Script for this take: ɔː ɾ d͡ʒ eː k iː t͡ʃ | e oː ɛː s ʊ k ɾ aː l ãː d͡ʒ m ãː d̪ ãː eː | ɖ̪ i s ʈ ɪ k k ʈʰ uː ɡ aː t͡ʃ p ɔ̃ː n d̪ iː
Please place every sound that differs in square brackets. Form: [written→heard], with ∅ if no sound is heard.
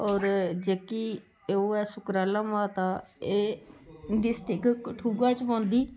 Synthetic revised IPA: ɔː ɾ d͡ʒ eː k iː [t͡ʃ→∅] | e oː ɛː s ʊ k ɾ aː l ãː [d͡ʒ→∅] m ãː [d̪→t̪] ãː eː | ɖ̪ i s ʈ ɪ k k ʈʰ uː ɡ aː t͡ʃ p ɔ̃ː n d̪ iː